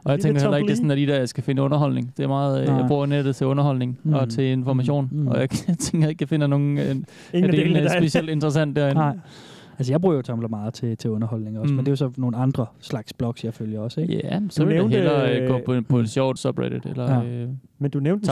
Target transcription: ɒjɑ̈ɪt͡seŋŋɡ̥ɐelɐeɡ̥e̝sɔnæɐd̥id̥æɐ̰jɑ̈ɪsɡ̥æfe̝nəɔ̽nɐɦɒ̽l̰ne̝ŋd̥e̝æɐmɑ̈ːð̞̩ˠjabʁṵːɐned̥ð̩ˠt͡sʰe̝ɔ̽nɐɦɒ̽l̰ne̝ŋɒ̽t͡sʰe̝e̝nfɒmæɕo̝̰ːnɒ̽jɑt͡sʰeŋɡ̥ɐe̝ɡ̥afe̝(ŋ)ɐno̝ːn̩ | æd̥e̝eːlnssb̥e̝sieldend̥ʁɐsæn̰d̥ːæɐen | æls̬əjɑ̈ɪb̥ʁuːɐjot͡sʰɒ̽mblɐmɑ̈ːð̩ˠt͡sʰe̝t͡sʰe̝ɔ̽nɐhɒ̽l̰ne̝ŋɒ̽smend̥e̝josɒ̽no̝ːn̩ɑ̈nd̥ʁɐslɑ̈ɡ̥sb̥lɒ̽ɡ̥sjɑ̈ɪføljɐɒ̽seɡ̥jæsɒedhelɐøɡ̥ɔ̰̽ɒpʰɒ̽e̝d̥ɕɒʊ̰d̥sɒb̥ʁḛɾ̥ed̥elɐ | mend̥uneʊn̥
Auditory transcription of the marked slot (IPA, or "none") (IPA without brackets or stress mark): n